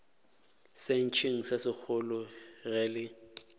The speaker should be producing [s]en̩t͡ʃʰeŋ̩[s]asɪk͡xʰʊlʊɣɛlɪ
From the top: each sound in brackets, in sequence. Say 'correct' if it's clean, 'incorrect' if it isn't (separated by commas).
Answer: correct, correct